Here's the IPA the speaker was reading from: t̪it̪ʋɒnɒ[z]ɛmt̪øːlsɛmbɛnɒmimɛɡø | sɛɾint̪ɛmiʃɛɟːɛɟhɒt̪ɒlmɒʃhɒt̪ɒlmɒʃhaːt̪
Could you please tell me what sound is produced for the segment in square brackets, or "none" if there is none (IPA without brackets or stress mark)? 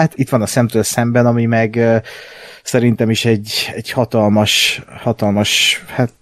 s